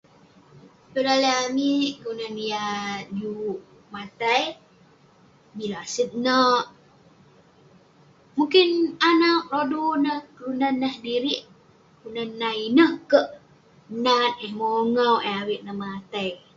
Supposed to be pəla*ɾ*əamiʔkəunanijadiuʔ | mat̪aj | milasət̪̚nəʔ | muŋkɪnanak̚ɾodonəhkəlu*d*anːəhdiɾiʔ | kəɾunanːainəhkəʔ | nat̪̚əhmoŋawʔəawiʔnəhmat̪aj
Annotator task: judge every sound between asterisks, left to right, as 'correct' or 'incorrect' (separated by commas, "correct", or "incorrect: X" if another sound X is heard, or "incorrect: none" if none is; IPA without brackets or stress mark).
incorrect: l, incorrect: n